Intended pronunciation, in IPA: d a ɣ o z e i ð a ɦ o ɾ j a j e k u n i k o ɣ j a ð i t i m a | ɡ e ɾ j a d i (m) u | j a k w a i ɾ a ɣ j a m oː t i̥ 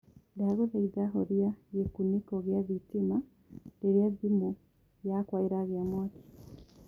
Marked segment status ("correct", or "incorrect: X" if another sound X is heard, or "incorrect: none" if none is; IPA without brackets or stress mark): correct